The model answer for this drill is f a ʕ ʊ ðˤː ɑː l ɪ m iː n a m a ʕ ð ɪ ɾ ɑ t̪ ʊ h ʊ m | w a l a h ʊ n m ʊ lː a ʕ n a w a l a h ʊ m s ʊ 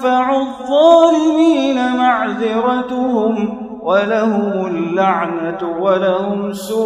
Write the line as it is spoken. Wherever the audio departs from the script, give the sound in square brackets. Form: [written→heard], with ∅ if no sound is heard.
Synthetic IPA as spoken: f a ʕ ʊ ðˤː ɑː l ɪ m iː n a m a ʕ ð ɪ ɾ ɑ t̪ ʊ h ʊ m | w a l a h ʊ [n→∅] m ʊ lː a ʕ n a w a l a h ʊ m s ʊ